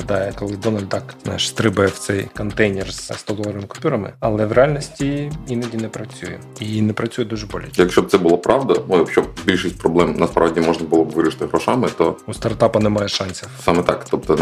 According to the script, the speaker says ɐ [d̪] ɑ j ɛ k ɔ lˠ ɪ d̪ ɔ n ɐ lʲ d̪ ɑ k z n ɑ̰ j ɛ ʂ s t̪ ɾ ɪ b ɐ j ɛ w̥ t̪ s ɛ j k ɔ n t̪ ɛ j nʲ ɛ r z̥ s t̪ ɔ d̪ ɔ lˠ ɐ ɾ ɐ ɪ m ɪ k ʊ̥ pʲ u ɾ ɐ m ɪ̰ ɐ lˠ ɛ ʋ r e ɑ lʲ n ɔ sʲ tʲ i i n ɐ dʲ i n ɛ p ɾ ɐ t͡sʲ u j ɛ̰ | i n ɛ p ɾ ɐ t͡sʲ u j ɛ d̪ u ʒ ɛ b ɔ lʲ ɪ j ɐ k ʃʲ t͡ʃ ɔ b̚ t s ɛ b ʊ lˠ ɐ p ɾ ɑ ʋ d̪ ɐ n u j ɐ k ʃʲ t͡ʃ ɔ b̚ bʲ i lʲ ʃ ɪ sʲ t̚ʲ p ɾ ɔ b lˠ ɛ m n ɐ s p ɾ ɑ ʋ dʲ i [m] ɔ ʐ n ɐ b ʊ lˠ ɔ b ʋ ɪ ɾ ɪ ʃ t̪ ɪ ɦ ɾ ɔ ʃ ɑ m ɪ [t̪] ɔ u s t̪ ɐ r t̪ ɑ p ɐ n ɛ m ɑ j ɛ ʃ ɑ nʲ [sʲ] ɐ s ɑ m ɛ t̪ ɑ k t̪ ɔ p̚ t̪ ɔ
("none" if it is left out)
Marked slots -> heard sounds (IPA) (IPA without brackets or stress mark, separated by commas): d̪, m, t̪, sʲ